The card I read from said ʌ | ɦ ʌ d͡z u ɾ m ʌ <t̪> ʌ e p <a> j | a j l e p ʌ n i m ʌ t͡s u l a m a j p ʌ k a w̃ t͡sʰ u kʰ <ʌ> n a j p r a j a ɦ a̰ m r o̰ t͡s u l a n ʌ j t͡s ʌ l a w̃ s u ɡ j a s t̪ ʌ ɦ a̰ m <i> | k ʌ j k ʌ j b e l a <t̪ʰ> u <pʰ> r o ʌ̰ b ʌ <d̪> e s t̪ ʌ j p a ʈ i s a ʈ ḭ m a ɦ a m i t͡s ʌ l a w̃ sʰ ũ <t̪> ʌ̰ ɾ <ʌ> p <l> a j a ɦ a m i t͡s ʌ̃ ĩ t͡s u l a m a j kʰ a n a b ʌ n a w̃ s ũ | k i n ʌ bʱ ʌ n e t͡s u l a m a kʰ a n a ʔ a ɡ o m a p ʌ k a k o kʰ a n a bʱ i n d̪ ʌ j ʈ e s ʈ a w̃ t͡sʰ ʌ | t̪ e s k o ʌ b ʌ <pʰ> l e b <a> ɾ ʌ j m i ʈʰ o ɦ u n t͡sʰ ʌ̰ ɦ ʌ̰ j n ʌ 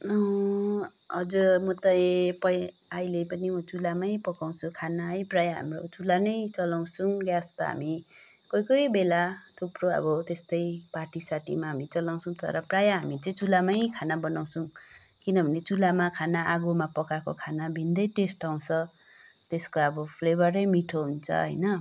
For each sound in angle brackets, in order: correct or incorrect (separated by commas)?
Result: correct, incorrect, incorrect, correct, correct, incorrect, incorrect, correct, correct, incorrect, correct, incorrect